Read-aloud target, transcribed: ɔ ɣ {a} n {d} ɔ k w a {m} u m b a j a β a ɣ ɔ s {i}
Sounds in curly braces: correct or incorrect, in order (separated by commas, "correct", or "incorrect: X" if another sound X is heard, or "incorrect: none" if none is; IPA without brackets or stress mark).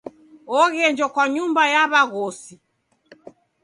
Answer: incorrect: ɛ, incorrect: d͡ʒ, incorrect: ɲ, correct